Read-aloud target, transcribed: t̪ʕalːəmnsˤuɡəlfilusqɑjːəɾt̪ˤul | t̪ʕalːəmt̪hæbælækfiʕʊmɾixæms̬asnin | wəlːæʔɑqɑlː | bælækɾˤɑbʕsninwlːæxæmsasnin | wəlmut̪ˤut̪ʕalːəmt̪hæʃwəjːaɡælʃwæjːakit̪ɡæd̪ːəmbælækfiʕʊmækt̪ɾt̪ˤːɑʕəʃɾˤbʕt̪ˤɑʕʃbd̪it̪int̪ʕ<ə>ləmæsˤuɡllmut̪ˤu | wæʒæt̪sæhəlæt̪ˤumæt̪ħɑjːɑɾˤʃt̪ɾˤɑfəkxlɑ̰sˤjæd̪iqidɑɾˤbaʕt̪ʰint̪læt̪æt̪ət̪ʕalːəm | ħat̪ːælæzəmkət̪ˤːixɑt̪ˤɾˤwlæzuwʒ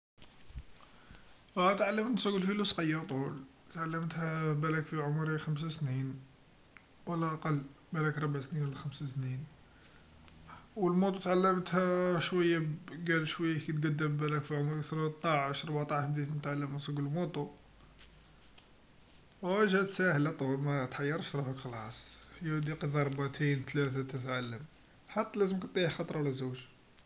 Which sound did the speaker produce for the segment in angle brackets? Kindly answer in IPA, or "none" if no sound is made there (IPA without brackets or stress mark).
a